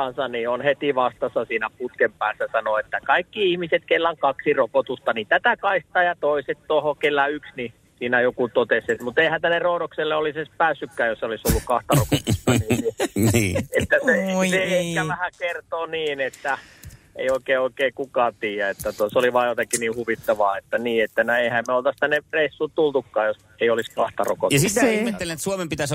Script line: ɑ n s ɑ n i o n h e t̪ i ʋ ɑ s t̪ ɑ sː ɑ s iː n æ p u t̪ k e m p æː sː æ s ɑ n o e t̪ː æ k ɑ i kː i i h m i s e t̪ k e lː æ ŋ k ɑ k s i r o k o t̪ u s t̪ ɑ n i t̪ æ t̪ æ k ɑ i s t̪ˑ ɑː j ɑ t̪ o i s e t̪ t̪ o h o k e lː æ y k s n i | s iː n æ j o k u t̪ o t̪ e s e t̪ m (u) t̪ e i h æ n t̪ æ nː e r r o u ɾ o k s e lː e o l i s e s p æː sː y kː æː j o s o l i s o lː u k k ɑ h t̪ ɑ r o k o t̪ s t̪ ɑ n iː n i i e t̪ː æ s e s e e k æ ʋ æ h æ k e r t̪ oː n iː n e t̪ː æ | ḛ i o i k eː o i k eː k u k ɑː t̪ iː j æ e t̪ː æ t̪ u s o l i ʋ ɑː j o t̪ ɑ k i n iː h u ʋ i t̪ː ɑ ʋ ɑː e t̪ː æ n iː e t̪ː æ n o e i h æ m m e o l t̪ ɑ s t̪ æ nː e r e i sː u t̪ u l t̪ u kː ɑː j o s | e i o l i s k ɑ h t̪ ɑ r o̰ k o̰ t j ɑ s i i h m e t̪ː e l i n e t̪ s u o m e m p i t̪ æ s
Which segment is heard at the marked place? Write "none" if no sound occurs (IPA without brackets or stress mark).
u